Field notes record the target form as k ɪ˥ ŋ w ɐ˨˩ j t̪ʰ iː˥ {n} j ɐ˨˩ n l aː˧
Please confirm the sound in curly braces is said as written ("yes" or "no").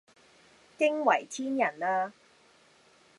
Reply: yes